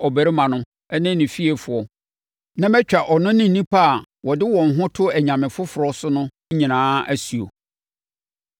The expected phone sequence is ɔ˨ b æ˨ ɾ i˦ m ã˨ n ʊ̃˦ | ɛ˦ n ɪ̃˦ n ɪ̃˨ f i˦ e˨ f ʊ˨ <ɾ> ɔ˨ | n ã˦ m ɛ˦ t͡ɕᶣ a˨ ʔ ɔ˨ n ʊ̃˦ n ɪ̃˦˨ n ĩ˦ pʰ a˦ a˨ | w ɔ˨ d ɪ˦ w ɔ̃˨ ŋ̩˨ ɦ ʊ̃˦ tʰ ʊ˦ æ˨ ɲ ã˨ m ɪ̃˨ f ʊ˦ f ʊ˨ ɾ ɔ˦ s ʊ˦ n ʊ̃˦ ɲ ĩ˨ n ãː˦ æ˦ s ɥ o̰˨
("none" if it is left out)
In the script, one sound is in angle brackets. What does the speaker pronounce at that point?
none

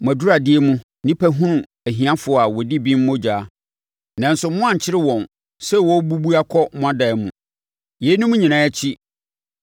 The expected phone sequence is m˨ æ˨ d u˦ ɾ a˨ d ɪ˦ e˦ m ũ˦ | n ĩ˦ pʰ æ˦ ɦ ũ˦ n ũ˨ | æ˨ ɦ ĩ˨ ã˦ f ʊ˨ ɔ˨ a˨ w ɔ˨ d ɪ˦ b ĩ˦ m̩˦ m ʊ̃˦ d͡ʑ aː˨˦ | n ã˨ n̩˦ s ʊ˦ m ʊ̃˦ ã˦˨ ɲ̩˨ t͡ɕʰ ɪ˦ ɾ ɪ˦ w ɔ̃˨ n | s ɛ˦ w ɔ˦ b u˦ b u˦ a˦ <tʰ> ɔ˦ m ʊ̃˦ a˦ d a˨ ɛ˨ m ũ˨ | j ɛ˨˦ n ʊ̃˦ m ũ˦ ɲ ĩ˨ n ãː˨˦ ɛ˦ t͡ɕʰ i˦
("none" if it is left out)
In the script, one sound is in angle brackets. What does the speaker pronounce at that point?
kʰ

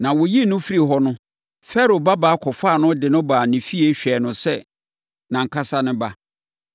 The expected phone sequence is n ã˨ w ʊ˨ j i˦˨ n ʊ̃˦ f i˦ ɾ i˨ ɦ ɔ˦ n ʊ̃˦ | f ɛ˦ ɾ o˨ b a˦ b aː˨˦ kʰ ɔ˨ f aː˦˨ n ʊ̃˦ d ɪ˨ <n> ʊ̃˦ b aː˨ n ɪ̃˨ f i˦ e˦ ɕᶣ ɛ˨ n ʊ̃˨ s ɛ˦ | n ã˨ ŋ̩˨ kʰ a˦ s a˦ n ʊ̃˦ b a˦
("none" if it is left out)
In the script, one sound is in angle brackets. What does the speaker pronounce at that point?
n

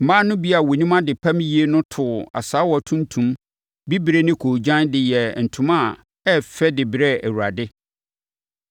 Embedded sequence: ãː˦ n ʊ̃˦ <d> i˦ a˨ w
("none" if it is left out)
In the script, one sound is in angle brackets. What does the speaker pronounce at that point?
b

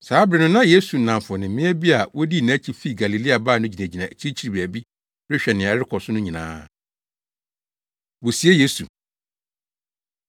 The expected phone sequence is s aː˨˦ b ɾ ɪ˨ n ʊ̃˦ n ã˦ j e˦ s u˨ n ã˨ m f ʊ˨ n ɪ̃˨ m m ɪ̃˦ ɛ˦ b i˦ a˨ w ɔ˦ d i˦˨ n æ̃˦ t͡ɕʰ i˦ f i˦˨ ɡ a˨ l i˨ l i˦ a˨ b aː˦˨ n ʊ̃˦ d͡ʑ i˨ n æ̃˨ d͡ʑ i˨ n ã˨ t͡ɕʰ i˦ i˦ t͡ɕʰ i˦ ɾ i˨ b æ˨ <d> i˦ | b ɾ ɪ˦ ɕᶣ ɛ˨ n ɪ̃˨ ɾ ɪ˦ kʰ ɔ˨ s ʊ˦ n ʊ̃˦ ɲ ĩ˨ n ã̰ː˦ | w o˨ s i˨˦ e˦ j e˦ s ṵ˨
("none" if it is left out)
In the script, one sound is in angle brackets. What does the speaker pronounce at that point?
b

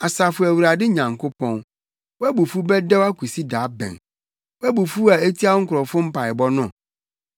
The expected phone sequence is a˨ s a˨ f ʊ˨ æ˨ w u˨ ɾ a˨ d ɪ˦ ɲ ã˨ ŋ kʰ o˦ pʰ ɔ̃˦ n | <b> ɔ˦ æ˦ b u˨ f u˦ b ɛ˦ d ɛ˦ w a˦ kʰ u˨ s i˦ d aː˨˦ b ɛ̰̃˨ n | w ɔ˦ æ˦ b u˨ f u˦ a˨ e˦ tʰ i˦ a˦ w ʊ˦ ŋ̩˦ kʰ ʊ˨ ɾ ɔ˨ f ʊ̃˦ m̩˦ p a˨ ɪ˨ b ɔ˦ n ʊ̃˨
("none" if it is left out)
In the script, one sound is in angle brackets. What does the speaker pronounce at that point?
w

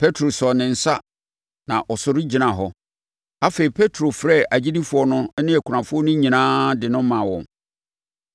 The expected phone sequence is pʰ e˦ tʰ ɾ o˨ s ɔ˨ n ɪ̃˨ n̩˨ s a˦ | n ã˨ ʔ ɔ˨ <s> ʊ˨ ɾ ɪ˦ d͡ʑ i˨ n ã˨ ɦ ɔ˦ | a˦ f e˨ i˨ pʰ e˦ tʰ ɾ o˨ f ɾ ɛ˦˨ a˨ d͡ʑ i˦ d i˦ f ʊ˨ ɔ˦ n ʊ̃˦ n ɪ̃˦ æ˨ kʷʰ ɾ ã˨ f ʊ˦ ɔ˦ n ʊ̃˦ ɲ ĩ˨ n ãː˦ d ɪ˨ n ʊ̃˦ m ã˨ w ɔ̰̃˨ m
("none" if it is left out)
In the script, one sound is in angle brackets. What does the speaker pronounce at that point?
s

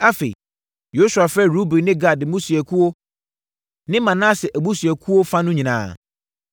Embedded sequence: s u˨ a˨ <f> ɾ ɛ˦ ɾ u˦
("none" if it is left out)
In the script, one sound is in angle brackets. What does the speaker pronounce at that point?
f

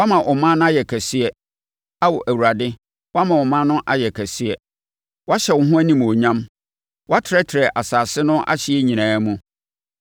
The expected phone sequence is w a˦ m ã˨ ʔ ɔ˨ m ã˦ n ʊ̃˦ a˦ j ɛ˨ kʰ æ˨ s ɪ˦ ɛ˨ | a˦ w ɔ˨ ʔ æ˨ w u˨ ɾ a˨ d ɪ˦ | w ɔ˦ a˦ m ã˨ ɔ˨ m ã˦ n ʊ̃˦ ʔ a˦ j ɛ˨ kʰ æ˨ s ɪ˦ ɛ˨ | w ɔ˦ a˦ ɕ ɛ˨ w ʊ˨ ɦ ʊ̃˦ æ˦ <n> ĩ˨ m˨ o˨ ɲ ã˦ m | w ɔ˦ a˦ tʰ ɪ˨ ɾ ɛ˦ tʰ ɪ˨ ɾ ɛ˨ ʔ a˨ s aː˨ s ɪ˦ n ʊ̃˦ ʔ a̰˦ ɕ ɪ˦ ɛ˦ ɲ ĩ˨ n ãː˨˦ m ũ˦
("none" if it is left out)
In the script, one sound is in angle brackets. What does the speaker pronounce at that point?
n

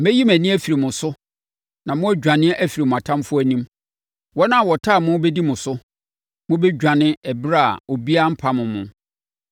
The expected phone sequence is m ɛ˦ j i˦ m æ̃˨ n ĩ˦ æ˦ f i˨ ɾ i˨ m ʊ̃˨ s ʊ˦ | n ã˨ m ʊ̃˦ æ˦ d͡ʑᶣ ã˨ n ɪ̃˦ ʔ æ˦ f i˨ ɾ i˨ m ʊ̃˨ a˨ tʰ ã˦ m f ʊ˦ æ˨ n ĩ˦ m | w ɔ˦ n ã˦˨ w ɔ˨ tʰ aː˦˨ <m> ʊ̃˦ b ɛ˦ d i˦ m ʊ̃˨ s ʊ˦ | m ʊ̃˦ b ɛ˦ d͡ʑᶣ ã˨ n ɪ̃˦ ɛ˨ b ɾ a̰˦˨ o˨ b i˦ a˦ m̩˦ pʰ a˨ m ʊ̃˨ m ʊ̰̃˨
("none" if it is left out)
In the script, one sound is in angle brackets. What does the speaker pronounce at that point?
m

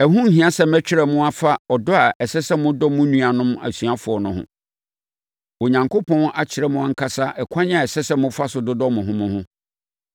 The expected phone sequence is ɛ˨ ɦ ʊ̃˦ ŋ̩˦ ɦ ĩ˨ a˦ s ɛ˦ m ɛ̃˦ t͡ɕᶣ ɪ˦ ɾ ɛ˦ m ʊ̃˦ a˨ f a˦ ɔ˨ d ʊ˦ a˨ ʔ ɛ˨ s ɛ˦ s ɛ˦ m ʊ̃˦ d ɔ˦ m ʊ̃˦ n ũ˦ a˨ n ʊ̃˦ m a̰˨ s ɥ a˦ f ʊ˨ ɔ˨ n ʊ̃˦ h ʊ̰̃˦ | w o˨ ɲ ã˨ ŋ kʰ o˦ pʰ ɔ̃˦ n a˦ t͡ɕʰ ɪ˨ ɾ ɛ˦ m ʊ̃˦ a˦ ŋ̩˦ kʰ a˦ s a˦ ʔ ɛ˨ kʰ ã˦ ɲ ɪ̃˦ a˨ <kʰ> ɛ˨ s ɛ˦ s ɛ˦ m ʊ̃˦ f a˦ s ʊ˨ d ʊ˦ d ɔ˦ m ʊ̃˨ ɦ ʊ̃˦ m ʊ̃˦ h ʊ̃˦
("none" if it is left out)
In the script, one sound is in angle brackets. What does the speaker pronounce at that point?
none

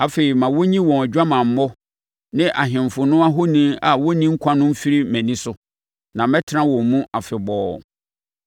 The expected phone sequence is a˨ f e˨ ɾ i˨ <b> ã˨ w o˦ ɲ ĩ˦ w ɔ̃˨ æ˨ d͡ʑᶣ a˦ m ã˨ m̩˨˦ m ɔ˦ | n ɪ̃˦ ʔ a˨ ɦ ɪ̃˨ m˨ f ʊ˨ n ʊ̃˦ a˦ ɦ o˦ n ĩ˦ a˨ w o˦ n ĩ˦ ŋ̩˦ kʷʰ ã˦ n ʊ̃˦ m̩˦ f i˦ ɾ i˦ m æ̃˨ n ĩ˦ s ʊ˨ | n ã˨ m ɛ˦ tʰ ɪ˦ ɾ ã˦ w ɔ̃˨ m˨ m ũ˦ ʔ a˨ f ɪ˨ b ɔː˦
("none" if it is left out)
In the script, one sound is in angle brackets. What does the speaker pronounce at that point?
m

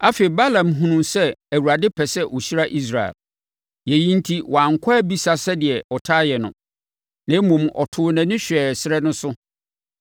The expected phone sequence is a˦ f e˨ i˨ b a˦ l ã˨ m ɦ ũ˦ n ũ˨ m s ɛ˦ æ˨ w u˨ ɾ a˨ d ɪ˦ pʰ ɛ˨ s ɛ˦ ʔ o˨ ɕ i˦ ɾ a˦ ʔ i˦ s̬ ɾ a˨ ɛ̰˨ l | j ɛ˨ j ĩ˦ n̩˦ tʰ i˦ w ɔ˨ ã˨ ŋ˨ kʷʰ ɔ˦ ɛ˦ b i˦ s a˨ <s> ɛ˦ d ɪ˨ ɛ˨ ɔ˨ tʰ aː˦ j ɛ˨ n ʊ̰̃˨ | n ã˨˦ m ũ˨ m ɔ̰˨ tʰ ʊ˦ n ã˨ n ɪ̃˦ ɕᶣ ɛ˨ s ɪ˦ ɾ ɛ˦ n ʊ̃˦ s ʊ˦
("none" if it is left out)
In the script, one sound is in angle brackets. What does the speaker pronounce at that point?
s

